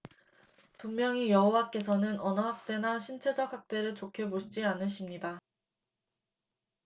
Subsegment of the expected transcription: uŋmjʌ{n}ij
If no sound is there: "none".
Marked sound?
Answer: ŋ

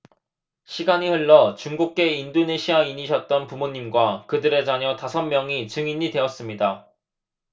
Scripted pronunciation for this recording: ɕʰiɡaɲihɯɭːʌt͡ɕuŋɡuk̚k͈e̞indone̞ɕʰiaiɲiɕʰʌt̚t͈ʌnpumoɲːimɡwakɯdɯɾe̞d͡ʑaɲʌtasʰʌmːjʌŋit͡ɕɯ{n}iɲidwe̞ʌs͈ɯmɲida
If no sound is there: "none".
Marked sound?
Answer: ŋ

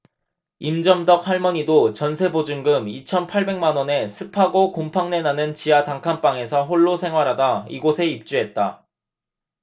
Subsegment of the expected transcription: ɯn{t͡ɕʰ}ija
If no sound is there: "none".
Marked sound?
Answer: t͡ɕ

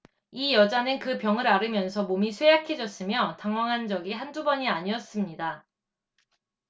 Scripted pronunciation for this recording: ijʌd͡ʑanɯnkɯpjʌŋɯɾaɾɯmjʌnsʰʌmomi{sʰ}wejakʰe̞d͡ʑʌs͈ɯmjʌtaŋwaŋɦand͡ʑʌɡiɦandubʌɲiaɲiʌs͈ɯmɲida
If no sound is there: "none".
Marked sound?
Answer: sʰ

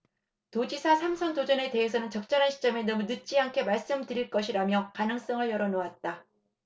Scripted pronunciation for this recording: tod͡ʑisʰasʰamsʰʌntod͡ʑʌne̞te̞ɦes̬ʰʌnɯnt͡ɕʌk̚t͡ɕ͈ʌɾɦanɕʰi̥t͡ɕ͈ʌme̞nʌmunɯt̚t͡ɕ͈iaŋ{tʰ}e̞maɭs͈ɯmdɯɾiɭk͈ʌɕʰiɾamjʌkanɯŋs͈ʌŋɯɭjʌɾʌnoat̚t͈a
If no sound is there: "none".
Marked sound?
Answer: kʰ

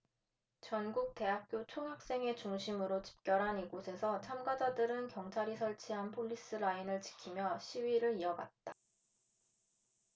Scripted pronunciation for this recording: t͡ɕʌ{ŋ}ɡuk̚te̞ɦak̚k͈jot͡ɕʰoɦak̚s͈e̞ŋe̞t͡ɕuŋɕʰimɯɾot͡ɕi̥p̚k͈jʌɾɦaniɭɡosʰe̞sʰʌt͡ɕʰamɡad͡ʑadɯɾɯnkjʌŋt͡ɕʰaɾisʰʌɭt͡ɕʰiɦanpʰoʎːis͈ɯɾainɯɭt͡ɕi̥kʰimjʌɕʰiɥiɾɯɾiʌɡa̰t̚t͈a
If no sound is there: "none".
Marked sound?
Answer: n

